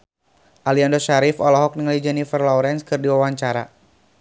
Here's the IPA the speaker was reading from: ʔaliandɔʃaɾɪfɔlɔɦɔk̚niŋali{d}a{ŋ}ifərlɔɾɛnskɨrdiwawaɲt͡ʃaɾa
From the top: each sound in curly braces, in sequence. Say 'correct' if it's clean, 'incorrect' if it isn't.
incorrect: d͡ʒ, incorrect: n

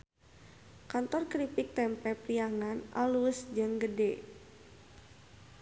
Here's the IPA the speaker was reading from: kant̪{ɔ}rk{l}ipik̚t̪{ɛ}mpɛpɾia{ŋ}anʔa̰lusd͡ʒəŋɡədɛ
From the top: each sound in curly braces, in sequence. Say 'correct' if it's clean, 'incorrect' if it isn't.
correct, incorrect: ɾ, correct, correct

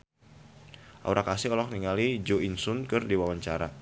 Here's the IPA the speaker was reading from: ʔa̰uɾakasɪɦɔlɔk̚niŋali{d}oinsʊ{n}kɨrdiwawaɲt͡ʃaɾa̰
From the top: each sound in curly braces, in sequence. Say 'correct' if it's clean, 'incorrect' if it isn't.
incorrect: d͡ʒ, correct

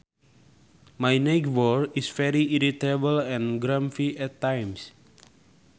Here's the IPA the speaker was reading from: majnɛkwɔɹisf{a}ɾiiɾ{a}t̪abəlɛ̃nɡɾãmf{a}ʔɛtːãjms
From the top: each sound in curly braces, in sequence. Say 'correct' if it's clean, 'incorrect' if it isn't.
incorrect: ɛ, incorrect: i, incorrect: i

